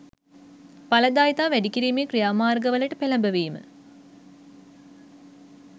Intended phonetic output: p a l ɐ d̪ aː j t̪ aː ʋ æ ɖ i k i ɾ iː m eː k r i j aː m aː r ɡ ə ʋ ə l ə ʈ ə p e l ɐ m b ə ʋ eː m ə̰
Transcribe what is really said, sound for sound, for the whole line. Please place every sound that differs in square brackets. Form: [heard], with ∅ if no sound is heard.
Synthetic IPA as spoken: p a l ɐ d̪ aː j t̪ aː ʋ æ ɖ i k i ɾ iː m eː k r i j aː m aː r ɡ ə ʋ ə l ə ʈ ə p e l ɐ m b ə ʋ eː m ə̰